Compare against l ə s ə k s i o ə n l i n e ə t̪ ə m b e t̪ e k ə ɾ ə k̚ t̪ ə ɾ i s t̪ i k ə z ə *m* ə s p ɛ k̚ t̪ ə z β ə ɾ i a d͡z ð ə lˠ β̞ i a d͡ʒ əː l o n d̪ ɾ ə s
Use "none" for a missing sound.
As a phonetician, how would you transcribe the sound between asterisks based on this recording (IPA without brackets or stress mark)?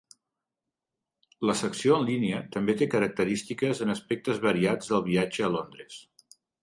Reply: n